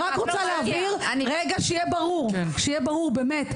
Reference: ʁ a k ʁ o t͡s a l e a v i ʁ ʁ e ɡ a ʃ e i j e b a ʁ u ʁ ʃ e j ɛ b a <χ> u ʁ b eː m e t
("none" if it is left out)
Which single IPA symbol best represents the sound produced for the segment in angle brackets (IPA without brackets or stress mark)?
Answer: ʁ